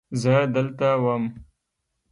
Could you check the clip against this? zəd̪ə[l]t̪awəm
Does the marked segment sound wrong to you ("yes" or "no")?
no